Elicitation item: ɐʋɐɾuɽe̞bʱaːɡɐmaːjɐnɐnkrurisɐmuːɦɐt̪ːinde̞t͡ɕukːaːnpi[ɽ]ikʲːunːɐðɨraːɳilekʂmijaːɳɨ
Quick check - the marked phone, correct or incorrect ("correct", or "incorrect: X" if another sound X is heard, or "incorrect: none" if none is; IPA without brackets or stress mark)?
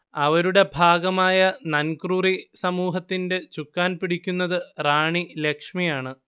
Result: correct